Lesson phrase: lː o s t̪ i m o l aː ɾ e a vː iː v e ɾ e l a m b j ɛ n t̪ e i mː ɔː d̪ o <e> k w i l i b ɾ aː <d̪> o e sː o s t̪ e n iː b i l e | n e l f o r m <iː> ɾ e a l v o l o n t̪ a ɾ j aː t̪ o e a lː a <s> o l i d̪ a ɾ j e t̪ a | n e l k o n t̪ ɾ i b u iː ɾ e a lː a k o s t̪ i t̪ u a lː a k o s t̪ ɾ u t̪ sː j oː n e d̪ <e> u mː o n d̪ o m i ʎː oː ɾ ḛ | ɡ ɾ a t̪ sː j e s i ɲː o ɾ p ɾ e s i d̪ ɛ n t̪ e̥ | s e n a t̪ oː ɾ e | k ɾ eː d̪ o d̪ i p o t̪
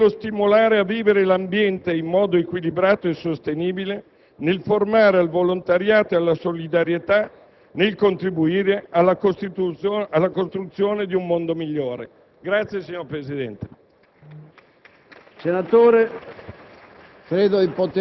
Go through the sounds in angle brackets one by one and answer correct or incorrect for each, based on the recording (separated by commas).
correct, incorrect, incorrect, correct, incorrect